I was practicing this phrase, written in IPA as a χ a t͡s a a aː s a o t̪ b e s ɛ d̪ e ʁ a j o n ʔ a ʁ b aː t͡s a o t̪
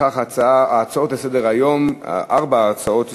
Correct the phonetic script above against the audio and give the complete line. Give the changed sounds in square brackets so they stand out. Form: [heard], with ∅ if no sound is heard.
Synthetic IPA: a χ a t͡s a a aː [t͡s] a o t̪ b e s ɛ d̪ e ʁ a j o [m] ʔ a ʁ b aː t͡s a o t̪